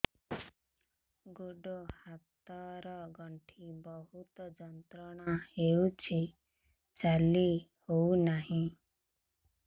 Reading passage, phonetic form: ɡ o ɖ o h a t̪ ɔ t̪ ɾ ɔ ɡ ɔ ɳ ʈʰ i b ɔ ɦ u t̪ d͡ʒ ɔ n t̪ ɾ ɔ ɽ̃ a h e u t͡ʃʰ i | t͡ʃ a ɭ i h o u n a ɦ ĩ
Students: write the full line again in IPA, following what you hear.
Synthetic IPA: ɡ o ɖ o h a t̪ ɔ ɾ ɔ ɡ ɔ ɳ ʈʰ i b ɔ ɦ u t̪ d͡ʒ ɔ n t̪ ɾ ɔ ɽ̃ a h e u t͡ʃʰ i | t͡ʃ a l i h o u n a ɦ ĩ

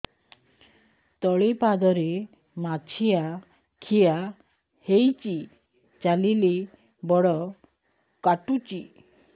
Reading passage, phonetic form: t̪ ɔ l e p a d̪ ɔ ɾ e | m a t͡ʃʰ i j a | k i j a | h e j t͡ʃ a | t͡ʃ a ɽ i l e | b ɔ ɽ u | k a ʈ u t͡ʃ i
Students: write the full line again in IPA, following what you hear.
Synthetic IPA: t̪ ɔ ɭ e p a d̪ ɔ ɾ e | m a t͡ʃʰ i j a | kʰ i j a | h e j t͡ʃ i | t͡ʃ a l i l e | b ɔ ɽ ɔ | k a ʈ u t͡ʃ i

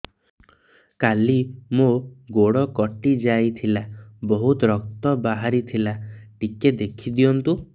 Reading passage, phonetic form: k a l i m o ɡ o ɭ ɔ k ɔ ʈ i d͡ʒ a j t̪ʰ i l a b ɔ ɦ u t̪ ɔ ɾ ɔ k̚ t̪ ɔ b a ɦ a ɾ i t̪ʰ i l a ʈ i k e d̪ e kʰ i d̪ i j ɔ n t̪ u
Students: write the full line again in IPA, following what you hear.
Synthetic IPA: k a l i m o ɡ o ɽ ɔ k ɔ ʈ i d͡ʒ a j t̪ʰ i l a b ɔ ɦ u t̪ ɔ ɾ ɔ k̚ t̪ ɔ b a ɦ a ɾ i t̪ʰ i l a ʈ i k e d̪ e kʰ i d̪ i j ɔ n t̪ u

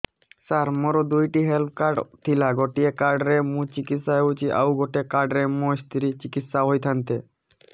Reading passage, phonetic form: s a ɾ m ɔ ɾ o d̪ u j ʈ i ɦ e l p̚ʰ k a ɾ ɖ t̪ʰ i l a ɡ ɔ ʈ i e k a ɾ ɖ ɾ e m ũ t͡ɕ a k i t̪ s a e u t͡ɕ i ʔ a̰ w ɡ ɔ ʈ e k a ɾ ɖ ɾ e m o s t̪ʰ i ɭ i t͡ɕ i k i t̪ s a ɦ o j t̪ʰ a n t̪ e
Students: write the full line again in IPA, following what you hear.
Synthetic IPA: s a ɾ m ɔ ɾ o d̪ u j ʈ i ɦ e l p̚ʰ k a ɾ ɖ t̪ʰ i l a ɡ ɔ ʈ i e k a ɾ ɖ ɾ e m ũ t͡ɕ i k i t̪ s a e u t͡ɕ i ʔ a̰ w ɡ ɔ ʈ e k a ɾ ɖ ɾ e m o s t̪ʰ i ɾ i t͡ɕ i k i t̪ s a ɦ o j t̪ʰ a n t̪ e

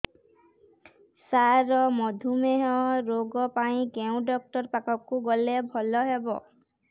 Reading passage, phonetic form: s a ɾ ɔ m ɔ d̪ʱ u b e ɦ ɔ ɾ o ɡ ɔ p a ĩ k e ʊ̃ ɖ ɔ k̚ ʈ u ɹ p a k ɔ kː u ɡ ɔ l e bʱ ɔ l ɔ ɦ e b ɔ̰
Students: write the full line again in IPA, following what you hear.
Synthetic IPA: s a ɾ ɔ m ɔ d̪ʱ u m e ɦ ɔ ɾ o ɡ ɔ p a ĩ k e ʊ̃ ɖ ɔ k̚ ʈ ɔ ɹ p a k ɔ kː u ɡ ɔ l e bʱ ɔ l ɔ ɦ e b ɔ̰

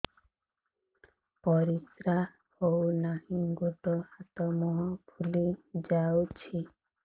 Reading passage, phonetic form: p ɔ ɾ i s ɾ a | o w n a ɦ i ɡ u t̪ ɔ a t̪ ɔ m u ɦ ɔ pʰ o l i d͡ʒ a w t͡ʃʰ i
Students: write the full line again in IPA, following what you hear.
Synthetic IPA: p ɔ ɾ i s ɾ a | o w n a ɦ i ɡ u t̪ ɔ a t̪ ɔ m ɔ ɦ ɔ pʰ u l i d͡ʒ a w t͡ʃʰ i

